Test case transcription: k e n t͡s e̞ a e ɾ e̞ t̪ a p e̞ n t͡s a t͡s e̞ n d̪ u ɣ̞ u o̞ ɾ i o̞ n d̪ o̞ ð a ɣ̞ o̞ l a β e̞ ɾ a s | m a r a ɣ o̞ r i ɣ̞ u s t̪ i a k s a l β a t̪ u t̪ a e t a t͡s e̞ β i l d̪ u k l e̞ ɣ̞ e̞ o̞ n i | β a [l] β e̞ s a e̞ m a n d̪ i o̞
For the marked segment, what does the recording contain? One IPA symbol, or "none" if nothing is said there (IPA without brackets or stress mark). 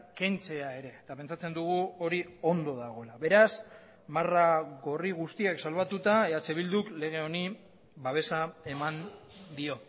none